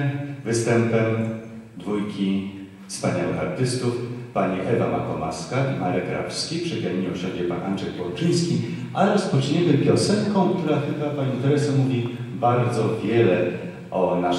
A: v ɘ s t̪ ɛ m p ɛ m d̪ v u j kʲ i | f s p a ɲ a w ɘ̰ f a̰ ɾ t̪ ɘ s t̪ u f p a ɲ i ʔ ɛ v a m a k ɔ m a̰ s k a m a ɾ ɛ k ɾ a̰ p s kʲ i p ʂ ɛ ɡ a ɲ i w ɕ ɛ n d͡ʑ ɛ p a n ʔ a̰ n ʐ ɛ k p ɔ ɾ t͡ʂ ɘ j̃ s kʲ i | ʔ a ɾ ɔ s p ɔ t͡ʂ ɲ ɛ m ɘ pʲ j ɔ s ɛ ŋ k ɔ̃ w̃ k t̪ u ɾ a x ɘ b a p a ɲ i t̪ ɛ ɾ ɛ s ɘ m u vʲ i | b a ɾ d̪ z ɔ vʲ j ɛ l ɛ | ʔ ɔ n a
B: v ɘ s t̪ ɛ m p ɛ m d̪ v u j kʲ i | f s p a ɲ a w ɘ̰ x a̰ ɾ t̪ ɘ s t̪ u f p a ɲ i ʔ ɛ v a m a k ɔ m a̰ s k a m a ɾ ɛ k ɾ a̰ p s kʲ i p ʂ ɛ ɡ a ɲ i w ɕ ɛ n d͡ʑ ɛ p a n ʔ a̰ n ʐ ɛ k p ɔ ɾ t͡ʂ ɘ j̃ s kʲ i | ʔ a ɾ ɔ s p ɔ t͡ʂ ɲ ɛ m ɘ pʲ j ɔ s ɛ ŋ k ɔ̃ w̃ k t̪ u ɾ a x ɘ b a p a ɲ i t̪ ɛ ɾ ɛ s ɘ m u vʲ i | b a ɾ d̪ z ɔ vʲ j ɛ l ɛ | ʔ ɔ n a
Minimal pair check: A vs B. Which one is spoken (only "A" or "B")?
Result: B